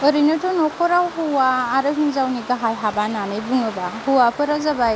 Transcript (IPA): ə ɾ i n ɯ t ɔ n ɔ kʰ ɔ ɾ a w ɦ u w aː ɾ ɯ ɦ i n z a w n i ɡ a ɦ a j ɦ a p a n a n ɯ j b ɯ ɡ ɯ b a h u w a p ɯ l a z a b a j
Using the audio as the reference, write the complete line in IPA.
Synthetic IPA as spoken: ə ɾ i n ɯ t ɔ n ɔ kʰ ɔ ɾ a w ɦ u w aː ɾ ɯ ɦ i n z a w n i ɡ a ɦ a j ɦ a b a n a n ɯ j b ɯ ŋ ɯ b a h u w a p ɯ ɾ a z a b a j